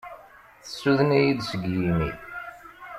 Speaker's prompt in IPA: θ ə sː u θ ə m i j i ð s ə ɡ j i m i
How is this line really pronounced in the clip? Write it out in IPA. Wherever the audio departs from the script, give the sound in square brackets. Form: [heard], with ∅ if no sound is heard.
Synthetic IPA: θ ə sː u [ð] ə [n] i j i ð s ə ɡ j i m i